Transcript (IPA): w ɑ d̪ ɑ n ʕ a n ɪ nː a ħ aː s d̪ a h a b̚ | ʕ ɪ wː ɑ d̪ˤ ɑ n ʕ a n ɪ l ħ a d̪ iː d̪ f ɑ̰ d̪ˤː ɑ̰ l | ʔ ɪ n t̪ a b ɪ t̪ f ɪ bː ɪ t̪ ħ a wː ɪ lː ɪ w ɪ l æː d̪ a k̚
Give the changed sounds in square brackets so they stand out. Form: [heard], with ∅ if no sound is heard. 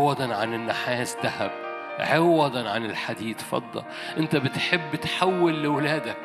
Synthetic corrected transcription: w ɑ d̪ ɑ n ʕ a n ɪ nː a ħ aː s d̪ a h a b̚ | ʕ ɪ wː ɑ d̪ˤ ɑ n ʕ a n ɪ l ħ a d̪ iː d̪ f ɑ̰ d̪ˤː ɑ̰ l | ʔ ɪ n t̪ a b ɪ t̪ [ħ] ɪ bː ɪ t̪ ħ a wː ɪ lː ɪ w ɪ l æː d̪ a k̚